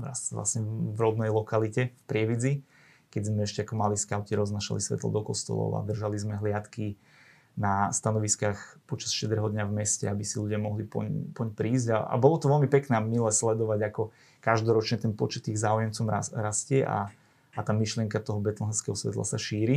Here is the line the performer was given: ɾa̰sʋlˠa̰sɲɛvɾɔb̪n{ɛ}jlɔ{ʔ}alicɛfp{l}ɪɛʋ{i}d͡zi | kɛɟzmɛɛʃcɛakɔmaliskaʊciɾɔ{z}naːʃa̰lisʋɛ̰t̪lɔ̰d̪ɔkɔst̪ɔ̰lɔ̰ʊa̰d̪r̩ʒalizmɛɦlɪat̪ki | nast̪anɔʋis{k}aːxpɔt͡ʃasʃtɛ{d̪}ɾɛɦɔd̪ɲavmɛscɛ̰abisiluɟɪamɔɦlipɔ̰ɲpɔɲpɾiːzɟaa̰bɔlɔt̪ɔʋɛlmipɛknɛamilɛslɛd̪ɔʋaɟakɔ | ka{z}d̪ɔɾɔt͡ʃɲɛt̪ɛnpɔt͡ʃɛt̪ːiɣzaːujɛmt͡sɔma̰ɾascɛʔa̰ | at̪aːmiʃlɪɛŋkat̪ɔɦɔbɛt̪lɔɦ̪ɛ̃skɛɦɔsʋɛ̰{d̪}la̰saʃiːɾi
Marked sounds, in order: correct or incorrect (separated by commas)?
correct, incorrect, incorrect, correct, correct, correct, correct, incorrect, incorrect